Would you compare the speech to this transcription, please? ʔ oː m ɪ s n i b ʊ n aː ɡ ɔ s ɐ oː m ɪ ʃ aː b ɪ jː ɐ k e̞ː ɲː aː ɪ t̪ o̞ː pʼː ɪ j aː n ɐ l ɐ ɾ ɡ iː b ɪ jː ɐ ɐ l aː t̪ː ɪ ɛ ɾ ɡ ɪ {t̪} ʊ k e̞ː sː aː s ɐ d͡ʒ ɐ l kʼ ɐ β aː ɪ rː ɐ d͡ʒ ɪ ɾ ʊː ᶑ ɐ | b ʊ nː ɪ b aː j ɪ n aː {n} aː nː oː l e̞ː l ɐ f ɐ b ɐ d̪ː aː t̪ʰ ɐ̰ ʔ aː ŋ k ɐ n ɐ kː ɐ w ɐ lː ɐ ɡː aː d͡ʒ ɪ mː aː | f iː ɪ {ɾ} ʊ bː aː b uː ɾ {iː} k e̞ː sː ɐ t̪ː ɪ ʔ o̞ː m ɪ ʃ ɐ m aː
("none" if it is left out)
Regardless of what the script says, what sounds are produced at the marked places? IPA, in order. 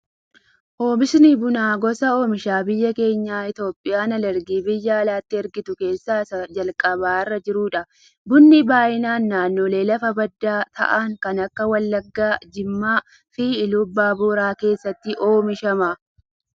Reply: t̪, nː, l, aː

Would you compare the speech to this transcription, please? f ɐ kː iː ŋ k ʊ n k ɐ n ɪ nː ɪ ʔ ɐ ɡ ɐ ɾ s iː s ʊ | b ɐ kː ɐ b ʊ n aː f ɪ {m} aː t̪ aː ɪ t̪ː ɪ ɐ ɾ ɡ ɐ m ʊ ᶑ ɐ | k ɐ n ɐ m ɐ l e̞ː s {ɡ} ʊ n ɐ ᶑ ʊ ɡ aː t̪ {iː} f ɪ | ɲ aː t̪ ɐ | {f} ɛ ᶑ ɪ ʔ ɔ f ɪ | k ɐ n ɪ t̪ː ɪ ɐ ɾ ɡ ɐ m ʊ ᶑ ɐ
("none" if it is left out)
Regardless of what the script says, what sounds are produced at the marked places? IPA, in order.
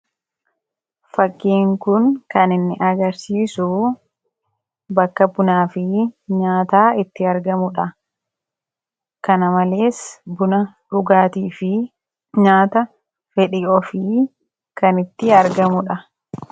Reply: ɲ, b, iː, f

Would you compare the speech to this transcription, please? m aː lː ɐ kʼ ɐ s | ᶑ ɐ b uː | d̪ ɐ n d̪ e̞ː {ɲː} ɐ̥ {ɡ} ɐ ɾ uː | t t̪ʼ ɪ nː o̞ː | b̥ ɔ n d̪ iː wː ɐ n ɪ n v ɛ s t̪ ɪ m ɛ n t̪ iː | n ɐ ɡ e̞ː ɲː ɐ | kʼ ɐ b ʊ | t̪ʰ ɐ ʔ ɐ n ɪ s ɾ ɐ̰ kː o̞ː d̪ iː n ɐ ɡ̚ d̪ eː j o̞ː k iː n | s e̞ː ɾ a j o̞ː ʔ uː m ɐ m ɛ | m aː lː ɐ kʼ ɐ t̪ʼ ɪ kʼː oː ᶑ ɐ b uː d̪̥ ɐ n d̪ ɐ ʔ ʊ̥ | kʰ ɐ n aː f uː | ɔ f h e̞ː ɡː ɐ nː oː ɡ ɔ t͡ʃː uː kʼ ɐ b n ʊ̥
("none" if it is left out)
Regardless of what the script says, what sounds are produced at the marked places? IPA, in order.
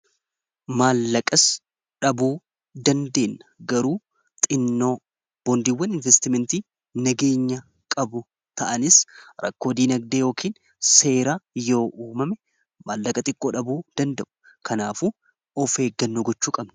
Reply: nː, ɡ

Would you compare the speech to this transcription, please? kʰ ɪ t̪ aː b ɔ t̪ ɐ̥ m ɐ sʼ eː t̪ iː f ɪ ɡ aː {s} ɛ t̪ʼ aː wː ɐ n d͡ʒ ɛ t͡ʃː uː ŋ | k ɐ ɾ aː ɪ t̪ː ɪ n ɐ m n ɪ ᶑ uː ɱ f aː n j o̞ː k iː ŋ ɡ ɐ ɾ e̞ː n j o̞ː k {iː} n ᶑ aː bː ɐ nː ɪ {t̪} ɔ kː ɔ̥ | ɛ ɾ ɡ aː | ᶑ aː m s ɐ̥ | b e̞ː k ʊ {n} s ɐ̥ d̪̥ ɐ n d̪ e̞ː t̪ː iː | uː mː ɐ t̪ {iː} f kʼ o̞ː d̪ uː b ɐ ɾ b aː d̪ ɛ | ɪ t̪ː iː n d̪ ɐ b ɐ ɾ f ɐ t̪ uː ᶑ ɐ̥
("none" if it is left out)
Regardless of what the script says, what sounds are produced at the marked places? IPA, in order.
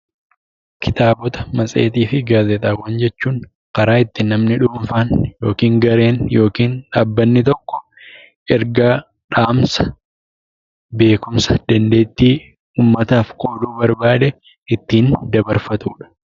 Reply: z, iː, t̪, m, aː

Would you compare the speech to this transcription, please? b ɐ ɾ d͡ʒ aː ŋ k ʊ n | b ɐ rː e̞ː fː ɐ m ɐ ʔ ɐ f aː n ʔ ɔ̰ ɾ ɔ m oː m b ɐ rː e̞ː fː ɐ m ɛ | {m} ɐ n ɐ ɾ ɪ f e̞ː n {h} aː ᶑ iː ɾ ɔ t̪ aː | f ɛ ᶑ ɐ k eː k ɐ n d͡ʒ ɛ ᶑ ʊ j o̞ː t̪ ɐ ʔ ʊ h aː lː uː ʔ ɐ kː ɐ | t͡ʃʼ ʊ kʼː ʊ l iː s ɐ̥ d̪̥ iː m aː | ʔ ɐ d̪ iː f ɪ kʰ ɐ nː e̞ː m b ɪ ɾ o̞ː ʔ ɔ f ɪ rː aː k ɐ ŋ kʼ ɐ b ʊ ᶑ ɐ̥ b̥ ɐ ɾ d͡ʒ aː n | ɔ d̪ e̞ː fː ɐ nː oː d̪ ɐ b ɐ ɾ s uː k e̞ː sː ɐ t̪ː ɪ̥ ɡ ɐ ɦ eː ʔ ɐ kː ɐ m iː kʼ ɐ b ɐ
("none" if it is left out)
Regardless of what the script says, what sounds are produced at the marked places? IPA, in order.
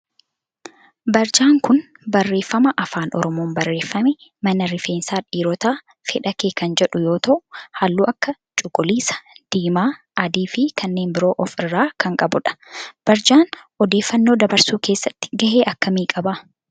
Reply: m, s

